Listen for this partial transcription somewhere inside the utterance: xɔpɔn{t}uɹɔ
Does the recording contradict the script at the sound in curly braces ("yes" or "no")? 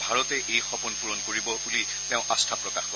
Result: yes